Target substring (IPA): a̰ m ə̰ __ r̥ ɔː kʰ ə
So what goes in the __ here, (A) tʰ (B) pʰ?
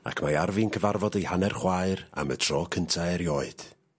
A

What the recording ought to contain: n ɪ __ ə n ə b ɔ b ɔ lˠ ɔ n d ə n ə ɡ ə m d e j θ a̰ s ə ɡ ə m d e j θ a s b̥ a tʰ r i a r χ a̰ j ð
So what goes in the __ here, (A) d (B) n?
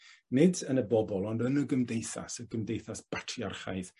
A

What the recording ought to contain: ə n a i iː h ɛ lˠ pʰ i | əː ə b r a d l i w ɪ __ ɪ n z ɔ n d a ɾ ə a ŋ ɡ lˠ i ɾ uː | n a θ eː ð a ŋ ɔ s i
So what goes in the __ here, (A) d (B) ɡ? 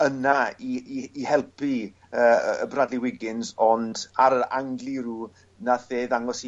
B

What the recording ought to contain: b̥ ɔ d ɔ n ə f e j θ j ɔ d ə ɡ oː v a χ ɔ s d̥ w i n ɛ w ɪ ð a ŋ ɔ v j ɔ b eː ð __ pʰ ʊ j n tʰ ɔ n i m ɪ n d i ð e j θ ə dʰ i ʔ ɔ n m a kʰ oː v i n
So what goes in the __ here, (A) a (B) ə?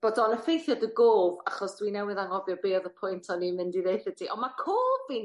B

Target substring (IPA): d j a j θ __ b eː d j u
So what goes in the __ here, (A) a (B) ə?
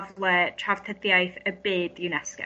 B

